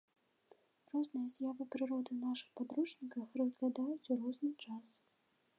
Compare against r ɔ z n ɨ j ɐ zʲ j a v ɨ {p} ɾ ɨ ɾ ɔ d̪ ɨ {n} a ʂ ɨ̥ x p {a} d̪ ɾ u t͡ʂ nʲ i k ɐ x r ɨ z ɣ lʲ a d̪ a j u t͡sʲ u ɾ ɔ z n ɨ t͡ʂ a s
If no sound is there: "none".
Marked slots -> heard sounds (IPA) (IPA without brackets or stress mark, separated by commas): p, n, a